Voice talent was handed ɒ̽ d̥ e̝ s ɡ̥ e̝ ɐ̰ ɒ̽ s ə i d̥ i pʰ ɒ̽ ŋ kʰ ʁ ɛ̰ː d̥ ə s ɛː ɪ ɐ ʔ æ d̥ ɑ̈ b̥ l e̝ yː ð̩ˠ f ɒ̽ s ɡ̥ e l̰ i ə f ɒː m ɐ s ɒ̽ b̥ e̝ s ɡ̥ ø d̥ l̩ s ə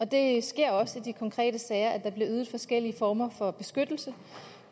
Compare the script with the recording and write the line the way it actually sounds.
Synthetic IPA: ɒ̽ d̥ e̝ s ɡ̥ e̝ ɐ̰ ɒ̽ s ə i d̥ i kʰ ɒ̽ ŋ kʰ ʁ ɛ̰ː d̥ ə s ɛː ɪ ɐ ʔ æ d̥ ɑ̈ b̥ l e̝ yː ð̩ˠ f ɒ̽ s ɡ̥ e l̰ i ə f ɒː m ɐ f ɒ̽ b̥ e̝ s ɡ̥ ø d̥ l̩ s ə